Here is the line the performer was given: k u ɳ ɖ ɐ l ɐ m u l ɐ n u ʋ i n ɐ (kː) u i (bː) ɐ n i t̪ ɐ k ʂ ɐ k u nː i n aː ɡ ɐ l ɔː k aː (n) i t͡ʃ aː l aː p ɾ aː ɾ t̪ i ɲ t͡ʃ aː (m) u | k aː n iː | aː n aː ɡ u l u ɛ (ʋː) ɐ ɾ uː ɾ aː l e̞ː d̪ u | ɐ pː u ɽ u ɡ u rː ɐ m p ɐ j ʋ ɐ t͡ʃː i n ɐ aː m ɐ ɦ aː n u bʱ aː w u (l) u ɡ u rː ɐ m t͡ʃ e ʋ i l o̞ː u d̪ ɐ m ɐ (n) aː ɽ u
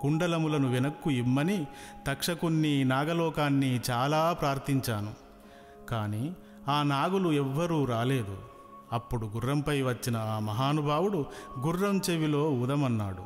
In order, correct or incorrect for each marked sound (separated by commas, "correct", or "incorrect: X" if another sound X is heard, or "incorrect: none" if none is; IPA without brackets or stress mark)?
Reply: correct, incorrect: mː, incorrect: nː, incorrect: n, correct, incorrect: ɽ, incorrect: nː